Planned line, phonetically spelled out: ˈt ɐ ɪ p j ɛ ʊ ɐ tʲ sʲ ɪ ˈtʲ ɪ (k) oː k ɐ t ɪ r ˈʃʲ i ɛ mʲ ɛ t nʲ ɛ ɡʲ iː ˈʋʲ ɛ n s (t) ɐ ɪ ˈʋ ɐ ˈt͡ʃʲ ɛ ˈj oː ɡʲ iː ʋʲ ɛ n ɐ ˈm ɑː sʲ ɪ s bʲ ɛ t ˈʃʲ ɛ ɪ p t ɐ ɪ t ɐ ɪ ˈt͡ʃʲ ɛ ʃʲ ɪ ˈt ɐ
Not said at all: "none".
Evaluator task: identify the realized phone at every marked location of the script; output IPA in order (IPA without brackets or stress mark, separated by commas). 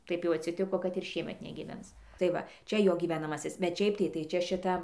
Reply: k, t